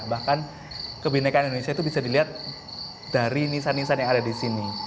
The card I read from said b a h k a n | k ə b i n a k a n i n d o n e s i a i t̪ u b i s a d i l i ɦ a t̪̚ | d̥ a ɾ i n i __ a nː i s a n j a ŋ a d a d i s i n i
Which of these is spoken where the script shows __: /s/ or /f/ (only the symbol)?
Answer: s